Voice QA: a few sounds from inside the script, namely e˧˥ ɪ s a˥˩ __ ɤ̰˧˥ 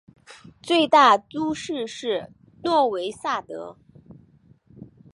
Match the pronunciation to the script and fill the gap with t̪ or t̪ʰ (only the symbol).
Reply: t̪